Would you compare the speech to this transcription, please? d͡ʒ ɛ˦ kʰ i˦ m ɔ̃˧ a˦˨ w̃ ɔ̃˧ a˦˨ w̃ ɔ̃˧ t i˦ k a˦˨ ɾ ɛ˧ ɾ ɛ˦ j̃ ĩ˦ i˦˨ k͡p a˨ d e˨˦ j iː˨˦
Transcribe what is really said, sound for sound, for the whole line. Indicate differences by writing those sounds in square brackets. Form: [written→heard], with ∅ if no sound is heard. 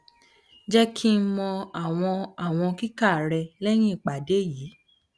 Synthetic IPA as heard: d͡ʒ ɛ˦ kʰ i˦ m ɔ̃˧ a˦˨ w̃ ɔ̃˧ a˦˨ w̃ ɔ̃˧ [t→k] i˦ k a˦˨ ɾ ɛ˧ [ɾ→l] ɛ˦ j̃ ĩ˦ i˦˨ k͡p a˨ d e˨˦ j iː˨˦

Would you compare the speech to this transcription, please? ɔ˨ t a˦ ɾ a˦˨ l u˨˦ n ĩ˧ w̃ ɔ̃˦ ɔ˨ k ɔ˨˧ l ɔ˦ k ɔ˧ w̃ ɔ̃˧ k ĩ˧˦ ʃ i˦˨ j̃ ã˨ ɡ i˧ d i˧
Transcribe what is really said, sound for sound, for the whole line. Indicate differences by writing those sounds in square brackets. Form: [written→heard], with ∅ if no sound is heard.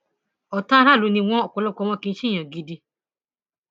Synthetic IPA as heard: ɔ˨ t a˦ ɾ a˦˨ l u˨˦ n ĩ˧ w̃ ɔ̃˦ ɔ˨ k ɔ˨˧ l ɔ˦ k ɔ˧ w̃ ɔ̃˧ k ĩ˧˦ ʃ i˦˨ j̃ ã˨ ɡ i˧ d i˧

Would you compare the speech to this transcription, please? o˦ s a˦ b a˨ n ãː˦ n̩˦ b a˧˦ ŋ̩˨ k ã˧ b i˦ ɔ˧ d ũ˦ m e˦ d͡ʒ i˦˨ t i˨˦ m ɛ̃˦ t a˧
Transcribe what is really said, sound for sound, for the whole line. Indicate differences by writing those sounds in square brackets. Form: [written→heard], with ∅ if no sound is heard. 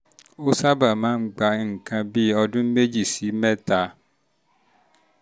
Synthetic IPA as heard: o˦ s a˦ b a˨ [n→m] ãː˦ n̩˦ [b→ɡ͡b] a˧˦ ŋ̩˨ k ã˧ b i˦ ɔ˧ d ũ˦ m e˦ d͡ʒ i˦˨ [t→s] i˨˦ m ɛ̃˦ t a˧

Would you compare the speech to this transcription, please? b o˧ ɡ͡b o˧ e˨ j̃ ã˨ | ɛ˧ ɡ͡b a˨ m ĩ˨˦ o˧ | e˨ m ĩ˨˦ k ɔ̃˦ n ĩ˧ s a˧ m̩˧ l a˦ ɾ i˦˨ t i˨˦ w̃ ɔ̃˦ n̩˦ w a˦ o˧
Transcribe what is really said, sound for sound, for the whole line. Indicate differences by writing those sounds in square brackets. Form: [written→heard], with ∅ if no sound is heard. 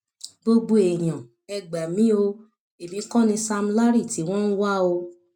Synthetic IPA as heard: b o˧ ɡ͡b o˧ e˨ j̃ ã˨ | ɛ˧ ɡ͡b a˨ m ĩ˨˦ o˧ | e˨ m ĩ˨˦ k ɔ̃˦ n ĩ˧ s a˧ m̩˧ l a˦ ɾ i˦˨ t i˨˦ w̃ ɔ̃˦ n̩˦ w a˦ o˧

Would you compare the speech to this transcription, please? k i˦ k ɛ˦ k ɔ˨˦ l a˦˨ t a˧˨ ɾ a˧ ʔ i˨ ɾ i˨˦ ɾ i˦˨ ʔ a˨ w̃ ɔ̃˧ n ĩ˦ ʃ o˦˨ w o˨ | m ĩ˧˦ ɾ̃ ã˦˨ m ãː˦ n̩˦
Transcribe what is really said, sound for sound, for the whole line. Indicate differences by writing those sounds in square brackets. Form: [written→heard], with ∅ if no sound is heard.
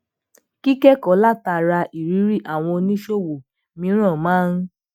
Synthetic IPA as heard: k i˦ k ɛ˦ k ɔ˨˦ l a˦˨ t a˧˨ ɾ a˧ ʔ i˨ ɾ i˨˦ ɾ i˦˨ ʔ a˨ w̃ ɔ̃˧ n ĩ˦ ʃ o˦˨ w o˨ | m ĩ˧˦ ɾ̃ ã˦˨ m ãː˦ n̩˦

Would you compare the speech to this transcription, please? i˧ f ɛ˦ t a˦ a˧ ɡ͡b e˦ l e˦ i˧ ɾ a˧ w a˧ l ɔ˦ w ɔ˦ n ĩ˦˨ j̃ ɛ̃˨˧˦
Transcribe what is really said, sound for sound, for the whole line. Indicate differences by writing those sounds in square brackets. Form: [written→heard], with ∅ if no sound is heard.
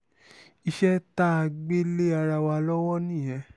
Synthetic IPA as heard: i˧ [f→ʃ] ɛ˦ t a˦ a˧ ɡ͡b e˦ l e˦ [i˧→a˧] ɾ a˧ w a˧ l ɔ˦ w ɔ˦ n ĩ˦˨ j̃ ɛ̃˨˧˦

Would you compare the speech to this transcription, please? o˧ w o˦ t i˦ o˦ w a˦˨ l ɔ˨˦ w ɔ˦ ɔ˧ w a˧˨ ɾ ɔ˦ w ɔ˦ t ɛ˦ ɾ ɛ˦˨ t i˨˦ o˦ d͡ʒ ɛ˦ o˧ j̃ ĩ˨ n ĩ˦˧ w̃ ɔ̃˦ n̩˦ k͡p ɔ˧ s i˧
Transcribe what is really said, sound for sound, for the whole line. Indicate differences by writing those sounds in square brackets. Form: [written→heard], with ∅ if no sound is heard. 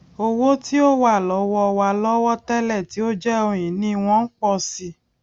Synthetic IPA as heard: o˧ w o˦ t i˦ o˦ w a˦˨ l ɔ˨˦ w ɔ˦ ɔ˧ w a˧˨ [ɾ→l] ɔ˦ w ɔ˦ t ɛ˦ [ɾ→l] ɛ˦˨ t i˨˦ o˦ d͡ʒ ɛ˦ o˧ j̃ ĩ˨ n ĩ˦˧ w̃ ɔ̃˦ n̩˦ k͡p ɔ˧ s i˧

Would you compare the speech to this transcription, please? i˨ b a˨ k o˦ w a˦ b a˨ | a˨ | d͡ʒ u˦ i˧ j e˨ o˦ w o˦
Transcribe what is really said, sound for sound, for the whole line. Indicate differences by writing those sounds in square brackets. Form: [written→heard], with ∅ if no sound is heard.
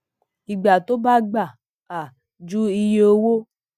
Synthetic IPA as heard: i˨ [b→ɡ͡b] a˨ [k→t] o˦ [w→b] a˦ [b→ɡ͡b] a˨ | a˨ | d͡ʒ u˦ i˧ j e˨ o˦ w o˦

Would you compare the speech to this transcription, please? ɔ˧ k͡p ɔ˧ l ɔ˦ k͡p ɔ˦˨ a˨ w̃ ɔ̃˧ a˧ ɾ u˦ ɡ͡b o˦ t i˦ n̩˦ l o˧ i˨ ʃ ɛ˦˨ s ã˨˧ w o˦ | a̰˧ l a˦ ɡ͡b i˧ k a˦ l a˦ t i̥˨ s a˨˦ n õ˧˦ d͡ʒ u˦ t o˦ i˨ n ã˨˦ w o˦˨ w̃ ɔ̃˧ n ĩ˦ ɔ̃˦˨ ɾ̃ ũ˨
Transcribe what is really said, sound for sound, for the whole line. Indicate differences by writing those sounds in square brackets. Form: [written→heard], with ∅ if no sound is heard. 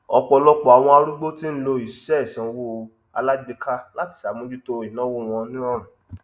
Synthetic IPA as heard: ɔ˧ k͡p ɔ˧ l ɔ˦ k͡p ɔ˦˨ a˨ w̃ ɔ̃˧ a˧ ɾ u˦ ɡ͡b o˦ t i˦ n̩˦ l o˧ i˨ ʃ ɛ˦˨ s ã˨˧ w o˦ | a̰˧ l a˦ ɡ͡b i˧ k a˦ l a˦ t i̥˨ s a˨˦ [n→m] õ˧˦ d͡ʒ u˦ t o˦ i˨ n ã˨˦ w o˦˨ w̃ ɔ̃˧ n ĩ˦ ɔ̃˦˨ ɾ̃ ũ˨

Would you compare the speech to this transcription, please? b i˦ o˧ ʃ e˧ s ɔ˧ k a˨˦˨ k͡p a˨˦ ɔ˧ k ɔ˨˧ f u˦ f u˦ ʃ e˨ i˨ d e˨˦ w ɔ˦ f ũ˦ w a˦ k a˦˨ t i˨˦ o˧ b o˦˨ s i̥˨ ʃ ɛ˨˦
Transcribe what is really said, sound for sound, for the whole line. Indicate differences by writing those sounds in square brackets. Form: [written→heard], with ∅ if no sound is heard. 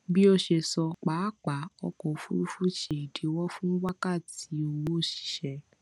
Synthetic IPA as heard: b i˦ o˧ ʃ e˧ s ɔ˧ [k→k͡p] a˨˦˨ k͡p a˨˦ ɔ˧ k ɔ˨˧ f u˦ f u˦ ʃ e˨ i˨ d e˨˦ w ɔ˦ f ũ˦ w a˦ k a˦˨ t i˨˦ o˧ [b→w] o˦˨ [s→ʃ] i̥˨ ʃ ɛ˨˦

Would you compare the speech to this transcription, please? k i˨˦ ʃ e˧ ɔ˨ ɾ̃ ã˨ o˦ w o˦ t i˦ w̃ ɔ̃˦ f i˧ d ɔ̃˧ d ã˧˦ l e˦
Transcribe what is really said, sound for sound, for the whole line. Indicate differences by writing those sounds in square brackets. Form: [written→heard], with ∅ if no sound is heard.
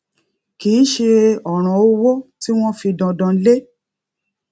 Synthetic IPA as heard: k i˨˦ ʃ e˧ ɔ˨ ɾ̃ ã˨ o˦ w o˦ t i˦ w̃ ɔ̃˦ f i˧ d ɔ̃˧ d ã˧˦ l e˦

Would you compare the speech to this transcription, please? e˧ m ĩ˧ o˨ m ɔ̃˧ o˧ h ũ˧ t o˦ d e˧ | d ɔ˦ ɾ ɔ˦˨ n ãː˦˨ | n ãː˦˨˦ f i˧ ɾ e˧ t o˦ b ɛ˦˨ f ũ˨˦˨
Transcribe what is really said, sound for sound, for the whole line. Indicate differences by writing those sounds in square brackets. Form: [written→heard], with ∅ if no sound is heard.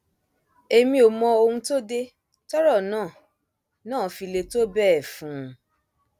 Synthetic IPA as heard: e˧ m ĩ˧ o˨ m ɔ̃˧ o˧ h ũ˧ t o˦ d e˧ | [d→t] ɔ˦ ɾ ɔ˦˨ n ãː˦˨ | n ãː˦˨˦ f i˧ [ɾ→l] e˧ t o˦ b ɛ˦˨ f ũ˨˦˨

